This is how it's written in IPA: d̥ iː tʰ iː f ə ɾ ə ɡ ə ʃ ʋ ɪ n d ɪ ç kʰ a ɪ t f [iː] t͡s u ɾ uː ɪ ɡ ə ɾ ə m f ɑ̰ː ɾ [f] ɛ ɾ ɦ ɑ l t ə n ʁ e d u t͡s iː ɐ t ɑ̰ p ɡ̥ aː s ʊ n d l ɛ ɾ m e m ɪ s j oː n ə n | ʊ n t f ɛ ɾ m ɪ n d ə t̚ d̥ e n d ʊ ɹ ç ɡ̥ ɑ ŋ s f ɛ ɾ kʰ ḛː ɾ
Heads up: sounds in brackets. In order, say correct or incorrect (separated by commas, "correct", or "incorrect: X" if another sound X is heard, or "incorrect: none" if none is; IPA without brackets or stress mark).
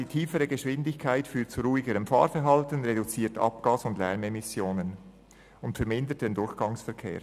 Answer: incorrect: yː, correct